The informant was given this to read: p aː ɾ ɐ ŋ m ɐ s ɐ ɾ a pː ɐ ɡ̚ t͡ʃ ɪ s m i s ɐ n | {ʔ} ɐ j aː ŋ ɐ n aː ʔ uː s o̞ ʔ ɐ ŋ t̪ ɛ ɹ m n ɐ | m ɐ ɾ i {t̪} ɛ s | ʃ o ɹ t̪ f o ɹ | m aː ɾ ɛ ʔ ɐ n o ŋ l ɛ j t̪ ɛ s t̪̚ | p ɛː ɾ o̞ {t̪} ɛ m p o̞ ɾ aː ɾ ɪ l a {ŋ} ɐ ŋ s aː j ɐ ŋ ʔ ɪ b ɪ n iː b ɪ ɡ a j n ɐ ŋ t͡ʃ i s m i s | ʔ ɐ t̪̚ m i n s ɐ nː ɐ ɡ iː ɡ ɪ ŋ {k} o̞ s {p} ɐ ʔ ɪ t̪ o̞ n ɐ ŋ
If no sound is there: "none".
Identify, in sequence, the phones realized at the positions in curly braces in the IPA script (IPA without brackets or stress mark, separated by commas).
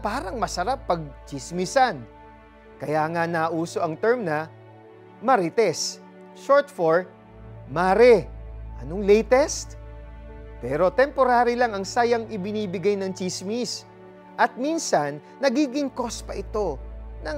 k, t̪, t̪, ŋ, k, p